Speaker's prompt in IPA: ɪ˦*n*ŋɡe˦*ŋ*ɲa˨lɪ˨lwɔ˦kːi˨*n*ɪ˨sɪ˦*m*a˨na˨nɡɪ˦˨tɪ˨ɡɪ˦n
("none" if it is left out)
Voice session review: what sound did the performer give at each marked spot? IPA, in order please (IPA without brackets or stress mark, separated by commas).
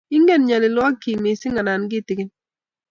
none, n, m, ŋ